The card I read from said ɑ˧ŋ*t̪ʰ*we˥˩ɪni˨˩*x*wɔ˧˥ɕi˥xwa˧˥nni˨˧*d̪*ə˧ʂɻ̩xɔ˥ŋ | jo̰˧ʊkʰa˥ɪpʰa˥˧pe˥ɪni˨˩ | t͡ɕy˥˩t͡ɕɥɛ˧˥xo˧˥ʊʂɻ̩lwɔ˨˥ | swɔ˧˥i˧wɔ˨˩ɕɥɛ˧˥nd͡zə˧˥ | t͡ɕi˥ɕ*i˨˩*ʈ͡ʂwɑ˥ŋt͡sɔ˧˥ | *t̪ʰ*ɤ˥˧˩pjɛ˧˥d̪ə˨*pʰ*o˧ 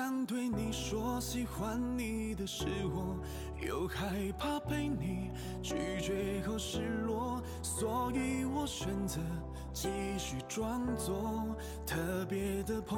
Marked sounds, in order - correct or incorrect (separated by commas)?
incorrect, incorrect, correct, incorrect, correct, correct